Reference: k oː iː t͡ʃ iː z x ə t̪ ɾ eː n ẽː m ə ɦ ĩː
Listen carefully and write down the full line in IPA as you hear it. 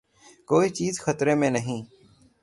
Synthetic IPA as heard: k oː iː t͡ʃ iː z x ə t̪ ɾ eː m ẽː n ə ɦ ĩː